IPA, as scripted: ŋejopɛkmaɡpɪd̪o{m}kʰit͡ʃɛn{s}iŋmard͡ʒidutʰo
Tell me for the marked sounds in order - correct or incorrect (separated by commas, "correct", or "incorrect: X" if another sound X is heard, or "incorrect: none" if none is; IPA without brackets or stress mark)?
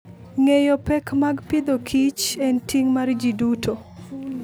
incorrect: none, incorrect: t